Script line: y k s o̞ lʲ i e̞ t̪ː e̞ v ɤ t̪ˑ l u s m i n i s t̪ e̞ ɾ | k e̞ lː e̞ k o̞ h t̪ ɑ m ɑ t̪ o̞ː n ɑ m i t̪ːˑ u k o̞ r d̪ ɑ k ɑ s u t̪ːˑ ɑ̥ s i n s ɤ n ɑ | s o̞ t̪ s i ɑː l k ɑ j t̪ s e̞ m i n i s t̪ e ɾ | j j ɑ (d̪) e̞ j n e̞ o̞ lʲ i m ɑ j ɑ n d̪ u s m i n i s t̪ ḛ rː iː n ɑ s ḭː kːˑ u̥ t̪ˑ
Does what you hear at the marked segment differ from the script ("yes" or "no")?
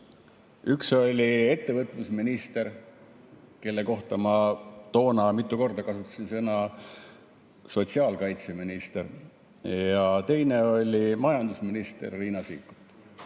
yes